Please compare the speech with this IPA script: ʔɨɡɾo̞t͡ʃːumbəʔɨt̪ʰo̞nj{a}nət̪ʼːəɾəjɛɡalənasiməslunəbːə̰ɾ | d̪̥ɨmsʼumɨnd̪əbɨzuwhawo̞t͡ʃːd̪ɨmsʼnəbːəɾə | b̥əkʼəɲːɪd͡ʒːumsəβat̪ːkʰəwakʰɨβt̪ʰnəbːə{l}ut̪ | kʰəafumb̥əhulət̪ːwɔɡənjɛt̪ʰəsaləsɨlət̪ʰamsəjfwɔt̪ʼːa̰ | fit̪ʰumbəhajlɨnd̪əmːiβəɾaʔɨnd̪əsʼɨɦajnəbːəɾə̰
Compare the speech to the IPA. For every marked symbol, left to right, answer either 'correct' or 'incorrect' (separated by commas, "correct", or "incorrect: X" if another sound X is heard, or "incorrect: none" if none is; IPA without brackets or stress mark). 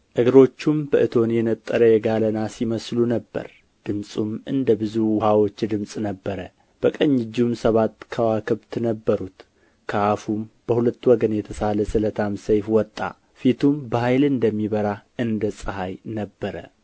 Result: incorrect: ɛ, incorrect: ɾ